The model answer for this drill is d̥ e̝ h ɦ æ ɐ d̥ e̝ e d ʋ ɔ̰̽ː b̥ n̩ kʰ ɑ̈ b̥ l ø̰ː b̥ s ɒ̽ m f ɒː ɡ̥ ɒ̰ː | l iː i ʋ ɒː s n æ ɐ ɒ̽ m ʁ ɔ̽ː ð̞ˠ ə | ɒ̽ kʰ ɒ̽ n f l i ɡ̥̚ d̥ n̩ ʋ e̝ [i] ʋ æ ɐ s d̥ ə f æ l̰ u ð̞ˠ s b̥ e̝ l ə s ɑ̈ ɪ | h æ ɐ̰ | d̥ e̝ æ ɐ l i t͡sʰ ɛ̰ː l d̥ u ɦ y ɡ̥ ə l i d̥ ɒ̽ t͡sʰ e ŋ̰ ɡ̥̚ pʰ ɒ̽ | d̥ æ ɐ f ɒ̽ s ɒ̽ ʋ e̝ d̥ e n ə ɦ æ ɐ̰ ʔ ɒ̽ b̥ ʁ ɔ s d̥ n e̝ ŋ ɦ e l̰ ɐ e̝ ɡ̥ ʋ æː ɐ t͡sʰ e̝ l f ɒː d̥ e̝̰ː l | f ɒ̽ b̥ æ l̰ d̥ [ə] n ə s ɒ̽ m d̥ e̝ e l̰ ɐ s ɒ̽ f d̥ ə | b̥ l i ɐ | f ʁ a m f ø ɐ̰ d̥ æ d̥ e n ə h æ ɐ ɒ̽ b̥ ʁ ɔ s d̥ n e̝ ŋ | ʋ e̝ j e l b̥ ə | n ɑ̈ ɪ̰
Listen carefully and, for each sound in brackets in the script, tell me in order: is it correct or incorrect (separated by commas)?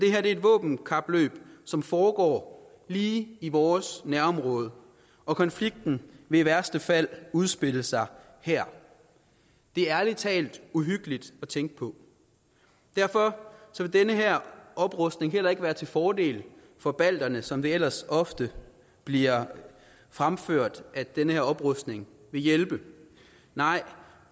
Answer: correct, incorrect